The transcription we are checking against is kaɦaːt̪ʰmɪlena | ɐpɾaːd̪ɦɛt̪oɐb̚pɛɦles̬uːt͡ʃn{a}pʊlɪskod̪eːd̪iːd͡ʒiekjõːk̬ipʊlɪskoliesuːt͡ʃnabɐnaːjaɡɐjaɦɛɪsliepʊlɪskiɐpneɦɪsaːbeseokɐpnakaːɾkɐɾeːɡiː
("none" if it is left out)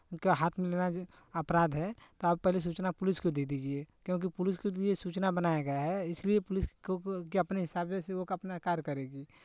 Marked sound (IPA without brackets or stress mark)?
a